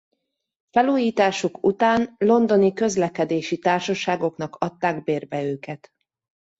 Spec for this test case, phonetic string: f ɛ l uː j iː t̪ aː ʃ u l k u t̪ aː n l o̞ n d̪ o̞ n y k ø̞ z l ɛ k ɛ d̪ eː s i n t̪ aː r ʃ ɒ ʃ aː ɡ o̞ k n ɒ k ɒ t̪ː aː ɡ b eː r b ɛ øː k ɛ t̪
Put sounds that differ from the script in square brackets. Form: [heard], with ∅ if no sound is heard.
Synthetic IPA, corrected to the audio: f ɛ l uː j iː t̪ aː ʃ u [∅] k u t̪ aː n l o̞ n d̪ o̞ n [i] k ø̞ z l ɛ k ɛ d̪ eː [ʃ] i [∅] t̪ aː r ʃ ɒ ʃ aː ɡ o̞ k n ɒ k ɒ t̪ː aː ɡ b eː r b ɛ øː k ɛ t̪